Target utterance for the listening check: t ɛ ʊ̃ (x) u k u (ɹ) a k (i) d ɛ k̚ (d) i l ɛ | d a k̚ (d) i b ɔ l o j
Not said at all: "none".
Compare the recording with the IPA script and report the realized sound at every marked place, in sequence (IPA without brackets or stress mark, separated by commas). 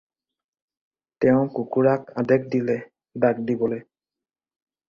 k, ɹ, a, d, d